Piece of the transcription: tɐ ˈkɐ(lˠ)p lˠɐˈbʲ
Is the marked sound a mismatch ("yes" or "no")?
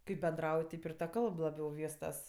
no